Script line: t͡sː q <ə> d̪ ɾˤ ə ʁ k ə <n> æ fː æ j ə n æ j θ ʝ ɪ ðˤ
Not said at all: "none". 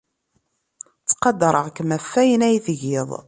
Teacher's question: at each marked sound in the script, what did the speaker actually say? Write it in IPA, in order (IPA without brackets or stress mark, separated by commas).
ɑ, m